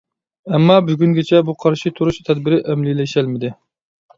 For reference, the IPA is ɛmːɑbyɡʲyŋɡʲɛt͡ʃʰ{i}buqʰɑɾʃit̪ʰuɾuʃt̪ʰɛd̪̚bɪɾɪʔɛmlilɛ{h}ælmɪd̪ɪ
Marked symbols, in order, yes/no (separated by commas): no, no